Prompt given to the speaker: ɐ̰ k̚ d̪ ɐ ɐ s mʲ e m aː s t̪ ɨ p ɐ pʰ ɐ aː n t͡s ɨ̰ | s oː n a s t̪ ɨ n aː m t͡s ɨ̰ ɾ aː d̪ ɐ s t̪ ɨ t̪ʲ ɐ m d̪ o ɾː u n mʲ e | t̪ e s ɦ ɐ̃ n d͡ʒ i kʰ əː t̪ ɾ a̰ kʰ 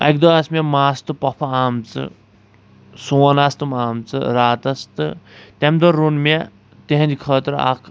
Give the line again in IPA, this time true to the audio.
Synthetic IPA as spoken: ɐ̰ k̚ d̪ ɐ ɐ s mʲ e m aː s t̪ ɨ p ɐ pʰ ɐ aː m t͡s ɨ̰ | s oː n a s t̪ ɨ m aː m t͡s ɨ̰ ɾ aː t̪ ɐ s t̪ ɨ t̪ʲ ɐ m d̪ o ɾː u n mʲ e | t̪ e ɦ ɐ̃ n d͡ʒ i kʰ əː t̪ ɾ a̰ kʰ